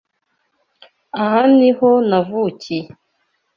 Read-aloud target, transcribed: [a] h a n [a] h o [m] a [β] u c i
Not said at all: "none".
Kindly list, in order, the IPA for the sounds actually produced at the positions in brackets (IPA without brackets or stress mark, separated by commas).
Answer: a, i, n, v